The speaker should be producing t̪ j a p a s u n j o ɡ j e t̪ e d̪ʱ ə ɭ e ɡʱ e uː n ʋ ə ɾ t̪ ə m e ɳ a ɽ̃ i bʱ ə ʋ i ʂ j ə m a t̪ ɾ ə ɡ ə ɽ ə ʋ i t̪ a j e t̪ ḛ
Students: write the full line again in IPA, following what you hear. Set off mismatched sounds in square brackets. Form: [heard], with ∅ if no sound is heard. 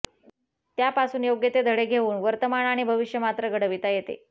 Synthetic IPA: t̪ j a p a s [uː] n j o ɡ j e t̪ e d̪ʱ ə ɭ e ɡʱ e uː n ʋ ə ɾ t̪ ə m [a] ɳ a ɽ̃ i bʱ ə ʋ i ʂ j ə m a t̪ ɾ ə ɡ ə ɽ ə ʋ i t̪ a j e t̪ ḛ